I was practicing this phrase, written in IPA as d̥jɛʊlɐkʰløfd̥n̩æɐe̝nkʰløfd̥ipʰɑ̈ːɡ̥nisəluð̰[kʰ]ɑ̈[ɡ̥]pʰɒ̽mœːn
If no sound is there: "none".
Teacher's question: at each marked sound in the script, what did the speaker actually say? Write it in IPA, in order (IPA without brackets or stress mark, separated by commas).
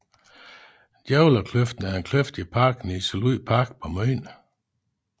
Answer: pʰ, ɡ̥